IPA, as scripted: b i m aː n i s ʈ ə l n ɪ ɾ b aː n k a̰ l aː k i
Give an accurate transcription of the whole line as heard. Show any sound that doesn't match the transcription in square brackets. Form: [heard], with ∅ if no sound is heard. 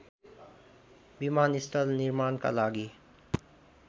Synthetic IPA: b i m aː n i s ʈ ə l n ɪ ɾ [m] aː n k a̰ l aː [ɡ] i